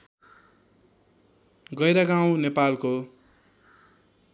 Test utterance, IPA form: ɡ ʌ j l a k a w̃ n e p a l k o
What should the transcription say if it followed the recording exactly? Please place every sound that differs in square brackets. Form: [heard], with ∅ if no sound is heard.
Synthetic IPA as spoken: ɡ ʌ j [ɾ] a [ɡ] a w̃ n e p a l k o

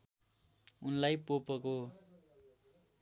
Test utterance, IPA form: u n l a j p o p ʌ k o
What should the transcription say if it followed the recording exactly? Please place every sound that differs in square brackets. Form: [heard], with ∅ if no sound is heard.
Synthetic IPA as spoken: u n l a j p o p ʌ k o

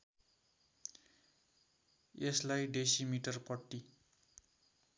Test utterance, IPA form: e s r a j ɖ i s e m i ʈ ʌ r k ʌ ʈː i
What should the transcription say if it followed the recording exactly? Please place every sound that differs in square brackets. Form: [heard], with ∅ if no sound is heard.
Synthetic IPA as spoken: e s [l] a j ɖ [e] s [i] m i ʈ ʌ r [p] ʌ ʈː i

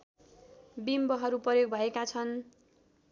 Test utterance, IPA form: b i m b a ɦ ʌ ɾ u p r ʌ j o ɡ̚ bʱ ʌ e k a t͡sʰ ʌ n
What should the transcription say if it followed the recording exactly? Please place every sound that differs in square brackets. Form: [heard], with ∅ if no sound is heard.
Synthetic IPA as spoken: b i m b [ʌ] ɦ ʌ ɾ u p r ʌ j o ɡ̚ bʱ ʌ e k a t͡sʰ ʌ n

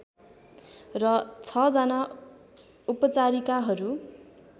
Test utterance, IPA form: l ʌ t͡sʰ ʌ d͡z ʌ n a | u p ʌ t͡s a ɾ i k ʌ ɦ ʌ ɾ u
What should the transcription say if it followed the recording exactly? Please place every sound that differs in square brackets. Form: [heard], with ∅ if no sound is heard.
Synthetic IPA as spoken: [r] ʌ t͡sʰ ʌ d͡z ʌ n a | u p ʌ t͡s a ɾ i k [a] ɦ ʌ ɾ u

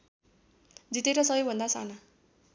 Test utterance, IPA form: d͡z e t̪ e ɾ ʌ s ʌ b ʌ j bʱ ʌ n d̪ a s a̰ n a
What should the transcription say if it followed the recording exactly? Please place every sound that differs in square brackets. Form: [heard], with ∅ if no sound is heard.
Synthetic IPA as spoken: d͡z [i] t̪ e ɾ ʌ s ʌ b ʌ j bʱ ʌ n d̪ a s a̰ n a

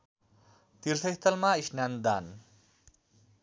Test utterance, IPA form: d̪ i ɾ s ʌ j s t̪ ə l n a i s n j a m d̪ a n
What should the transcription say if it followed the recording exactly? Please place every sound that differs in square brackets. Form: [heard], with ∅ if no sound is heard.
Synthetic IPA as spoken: [t̪] i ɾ s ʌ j s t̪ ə l [m] a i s n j a [n] d̪ a n

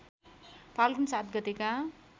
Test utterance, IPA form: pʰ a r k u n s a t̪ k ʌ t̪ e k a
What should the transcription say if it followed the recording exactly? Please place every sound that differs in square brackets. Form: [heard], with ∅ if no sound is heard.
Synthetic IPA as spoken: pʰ a [l] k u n s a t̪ [ɡ] ʌ t̪ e k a

